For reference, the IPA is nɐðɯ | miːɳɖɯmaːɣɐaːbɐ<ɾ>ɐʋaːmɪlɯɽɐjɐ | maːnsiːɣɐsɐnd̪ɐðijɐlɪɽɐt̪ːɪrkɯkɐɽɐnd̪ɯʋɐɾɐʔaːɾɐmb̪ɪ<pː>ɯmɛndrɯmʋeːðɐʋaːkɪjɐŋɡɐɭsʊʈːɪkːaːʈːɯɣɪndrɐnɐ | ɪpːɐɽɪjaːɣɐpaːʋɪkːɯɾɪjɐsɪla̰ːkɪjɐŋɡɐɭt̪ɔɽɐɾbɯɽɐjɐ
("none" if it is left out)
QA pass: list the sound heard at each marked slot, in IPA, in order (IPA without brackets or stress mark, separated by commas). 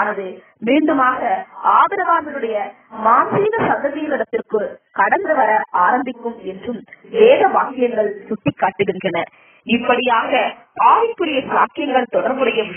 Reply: ɾ, kː